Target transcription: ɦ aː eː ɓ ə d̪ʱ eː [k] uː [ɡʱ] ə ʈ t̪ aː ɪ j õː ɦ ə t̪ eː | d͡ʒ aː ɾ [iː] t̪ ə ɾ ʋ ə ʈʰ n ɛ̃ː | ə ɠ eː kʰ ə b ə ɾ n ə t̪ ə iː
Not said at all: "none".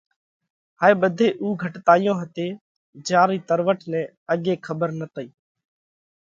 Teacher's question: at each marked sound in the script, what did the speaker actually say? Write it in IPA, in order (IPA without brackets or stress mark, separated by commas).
ʔ, ɡʱ, iː